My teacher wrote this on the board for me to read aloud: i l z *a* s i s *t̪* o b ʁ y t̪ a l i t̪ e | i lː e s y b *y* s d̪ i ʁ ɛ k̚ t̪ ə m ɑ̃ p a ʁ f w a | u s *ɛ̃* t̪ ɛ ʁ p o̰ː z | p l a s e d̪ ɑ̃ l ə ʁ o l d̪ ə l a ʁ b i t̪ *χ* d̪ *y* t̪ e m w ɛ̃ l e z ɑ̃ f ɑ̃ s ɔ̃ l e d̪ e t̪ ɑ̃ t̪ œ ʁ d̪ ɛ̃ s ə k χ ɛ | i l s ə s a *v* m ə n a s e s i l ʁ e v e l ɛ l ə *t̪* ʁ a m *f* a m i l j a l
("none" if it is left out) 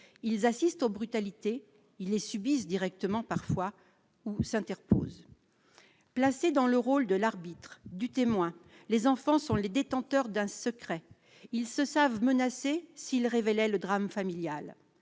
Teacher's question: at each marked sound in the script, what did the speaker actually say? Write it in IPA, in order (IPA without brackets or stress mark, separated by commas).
a, t̪, i, ɛ̃, χ, y, v, d̪, f